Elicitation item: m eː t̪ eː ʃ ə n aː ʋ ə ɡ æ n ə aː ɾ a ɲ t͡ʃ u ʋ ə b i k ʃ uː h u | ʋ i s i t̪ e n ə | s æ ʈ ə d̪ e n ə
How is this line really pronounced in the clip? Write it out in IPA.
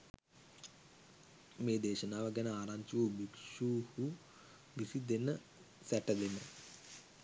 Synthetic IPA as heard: m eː d̪ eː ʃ ə n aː ʋ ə ɡ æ n ə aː ɾ a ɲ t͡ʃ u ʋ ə b i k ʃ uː h u | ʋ i s i d̪ e n ə | s æ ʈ ə d̪ e n ə